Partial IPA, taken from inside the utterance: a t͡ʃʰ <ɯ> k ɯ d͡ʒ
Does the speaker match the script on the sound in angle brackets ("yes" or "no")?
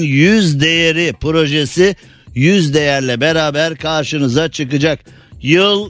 yes